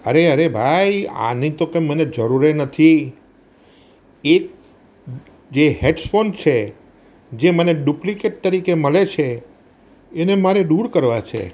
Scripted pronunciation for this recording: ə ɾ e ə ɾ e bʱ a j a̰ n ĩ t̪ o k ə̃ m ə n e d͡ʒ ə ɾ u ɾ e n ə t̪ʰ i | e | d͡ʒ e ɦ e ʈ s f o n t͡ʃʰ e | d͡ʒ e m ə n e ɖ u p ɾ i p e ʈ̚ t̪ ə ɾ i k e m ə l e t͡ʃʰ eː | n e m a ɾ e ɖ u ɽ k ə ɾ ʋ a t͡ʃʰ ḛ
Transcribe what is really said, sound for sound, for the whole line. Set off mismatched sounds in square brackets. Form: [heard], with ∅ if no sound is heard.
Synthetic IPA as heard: ə ɾ e ə ɾ e bʱ a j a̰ n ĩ t̪ o k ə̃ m ə n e d͡ʒ ə ɾ u ɾ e n ə t̪ʰ i | e | d͡ʒ e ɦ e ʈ s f o n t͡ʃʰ e | d͡ʒ e m ə n e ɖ u p [l] i [k] e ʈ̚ t̪ ə ɾ i k e m ə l e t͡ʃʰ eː | n e m a ɾ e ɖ u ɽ k ə ɾ ʋ a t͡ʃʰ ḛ